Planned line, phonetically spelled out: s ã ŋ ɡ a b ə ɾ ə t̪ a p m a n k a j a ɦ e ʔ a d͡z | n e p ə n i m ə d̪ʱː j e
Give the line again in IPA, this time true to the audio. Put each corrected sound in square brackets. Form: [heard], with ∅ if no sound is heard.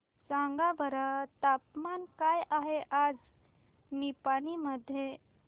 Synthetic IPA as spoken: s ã ŋ ɡ a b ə ɾ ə t̪ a p m a n k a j a ɦ e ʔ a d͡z | n [i] p [a] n i m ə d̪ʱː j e